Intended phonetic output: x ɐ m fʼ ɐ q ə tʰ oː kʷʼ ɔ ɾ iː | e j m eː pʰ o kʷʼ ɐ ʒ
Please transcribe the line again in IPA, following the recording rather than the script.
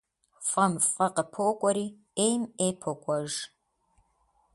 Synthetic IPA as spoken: f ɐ m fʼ ɐ q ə pʰ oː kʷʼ ɔ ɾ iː | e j m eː pʰ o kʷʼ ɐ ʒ